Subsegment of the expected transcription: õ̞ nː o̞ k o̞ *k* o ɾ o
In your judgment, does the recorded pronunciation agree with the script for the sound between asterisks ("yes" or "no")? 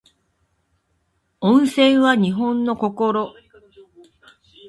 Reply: yes